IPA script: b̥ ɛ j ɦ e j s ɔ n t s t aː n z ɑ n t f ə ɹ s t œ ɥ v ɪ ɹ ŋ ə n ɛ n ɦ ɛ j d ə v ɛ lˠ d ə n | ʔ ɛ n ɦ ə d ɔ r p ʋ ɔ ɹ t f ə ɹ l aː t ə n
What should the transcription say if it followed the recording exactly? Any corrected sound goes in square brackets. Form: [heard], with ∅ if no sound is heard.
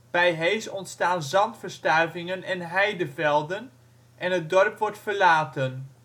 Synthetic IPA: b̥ ɛ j ɦ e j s ɔ n t s t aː n z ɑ n t f ə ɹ s t œ ɥ v ɪ [∅] ŋ ə n ɛ n ɦ ɛ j d ə v ɛ lˠ d ə n | ʔ ɛ n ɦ ə d ɔ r p ʋ ɔ ɹ t f ə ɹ l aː t ə n